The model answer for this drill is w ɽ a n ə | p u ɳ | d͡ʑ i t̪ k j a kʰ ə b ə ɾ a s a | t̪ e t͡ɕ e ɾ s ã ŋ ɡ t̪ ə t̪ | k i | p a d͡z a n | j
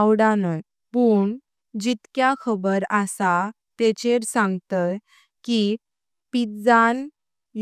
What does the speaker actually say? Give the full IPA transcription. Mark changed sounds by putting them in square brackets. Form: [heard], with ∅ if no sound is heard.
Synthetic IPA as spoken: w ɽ a n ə | p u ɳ | d͡ʑ i t̪ k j a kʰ ə b ə ɾ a s a | t̪ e t͡ɕ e ɾ s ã ŋ ɡ t̪ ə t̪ | k i | p [i] d͡z a n | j